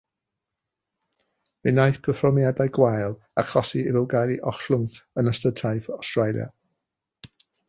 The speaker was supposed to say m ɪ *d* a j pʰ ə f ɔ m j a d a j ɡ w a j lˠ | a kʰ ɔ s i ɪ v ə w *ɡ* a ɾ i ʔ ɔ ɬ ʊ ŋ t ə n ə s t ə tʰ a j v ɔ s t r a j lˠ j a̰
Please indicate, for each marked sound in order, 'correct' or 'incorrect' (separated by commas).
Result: incorrect, correct